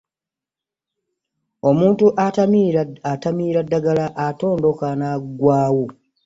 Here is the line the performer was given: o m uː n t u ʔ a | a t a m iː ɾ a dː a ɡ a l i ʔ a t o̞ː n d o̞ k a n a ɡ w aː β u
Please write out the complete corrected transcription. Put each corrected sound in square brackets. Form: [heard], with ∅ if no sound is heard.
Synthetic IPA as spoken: o m uː n t u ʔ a | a t a m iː ɾ a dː a ɡ a l [a] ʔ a t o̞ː n d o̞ k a n a ɡ w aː [w] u

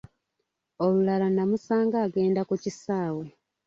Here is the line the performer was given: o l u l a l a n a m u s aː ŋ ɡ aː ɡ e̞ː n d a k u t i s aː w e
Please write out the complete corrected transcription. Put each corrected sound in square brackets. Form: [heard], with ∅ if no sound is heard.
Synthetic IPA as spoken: o l u l a l a n a m u s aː ŋ ɡ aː ɡ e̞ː n d a k u [c] i s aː w e

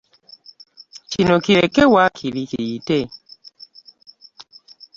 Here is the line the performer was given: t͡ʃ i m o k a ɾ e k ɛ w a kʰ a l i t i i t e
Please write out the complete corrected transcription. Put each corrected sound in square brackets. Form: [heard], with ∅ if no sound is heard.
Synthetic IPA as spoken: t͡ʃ i [n] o k [i] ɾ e k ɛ w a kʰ [i] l i [k] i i t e

